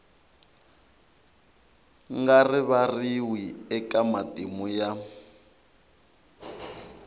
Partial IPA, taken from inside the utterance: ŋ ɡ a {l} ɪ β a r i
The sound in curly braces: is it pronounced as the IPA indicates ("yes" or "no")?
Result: no